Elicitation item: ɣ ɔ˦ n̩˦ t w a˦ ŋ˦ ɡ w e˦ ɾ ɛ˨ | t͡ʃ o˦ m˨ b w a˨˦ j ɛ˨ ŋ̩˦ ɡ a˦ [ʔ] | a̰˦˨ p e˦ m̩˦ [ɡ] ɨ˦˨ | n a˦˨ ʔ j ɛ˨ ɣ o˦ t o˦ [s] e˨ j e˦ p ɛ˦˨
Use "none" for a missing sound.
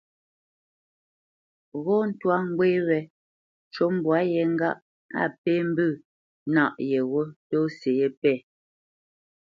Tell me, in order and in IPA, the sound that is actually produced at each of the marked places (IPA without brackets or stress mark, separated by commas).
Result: ʔ, b, s